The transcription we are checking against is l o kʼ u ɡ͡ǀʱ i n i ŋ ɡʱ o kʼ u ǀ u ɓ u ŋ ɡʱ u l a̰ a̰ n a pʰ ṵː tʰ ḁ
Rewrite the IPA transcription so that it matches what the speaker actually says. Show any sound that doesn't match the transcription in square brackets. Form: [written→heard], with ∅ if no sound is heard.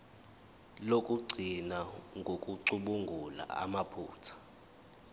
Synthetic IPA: l o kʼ u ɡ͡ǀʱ i n [i→a] ŋ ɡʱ o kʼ u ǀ u ɓ u ŋ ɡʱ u l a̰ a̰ [n→m] a pʰ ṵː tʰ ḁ